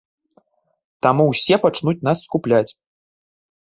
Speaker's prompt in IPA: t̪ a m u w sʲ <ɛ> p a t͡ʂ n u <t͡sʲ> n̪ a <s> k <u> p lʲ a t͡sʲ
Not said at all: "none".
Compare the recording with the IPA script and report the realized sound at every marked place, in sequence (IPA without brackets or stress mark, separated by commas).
ɛ, t͡sʲ, sː, u